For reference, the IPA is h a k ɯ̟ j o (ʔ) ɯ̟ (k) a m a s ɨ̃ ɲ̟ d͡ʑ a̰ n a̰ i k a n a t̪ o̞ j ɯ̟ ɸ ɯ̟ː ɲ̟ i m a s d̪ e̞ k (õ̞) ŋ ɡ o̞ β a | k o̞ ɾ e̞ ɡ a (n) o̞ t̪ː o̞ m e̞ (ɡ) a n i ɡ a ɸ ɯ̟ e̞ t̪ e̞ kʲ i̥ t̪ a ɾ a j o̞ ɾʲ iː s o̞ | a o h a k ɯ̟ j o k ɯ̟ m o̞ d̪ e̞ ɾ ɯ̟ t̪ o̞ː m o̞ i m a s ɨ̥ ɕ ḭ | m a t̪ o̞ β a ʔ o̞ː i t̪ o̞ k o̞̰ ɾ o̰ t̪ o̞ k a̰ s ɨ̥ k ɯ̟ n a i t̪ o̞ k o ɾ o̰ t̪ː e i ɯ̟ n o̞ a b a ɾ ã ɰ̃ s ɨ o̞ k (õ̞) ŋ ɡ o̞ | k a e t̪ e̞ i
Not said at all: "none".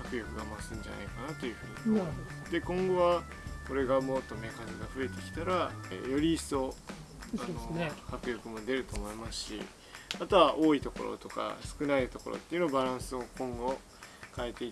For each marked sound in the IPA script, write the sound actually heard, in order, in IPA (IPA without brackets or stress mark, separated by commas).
k, ɡ, õ̞, m, k, õ̞